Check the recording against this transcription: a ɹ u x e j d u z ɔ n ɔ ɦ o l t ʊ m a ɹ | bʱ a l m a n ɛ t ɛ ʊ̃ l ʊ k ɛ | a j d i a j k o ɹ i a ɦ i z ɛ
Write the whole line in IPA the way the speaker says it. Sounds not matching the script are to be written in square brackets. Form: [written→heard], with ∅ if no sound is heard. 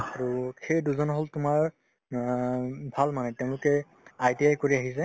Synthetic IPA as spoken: a ɹ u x e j d u z ɔ n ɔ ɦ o l t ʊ m a ɹ | bʱ a l m a n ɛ t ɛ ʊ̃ l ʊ k ɛ | a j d i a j k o ɹ i a ɦ i [z→s] ɛ